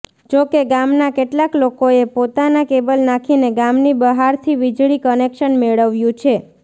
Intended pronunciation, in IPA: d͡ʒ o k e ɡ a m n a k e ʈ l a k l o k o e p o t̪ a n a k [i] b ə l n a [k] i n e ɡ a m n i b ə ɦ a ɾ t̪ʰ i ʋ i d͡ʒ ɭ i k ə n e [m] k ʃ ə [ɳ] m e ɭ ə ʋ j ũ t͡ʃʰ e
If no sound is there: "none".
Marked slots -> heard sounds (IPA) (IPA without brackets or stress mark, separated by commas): e, kʰ, none, n